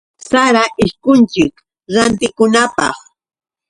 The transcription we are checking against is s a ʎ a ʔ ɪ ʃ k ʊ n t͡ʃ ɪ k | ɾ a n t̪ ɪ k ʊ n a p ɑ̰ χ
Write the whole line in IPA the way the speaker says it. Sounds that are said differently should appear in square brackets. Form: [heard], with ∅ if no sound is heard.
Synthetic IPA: s a [ɾ] a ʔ ɪ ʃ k ʊ n t͡ʃ ɪ k | ɾ a n t̪ ɪ k ʊ n a p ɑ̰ χ